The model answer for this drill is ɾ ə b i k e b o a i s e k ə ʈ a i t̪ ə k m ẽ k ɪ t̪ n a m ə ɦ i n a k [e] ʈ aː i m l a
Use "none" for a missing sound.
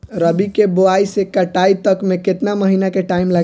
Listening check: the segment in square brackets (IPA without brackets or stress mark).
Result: e